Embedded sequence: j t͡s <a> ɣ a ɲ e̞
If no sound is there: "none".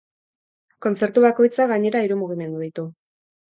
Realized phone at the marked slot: a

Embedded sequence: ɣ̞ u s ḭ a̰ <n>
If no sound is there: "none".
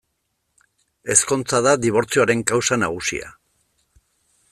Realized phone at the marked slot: none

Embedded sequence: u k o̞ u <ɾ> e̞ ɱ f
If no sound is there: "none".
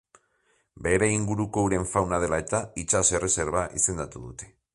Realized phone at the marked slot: ɾ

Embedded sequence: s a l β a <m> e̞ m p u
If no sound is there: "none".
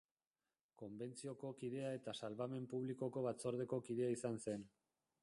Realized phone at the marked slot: m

